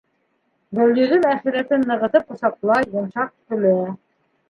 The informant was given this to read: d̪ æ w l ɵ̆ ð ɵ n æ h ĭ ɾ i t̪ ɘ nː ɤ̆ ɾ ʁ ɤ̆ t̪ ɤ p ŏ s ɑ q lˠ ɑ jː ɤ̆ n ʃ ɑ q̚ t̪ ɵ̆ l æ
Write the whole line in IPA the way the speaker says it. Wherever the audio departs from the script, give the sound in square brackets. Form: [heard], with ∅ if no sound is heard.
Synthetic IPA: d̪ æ w l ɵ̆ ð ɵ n æ [χ] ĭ ɾ [æ] t̪ ɘ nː ɤ̆ [∅] ʁ ɤ̆ t̪ ɤ p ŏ s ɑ q lˠ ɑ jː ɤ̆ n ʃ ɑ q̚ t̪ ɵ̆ l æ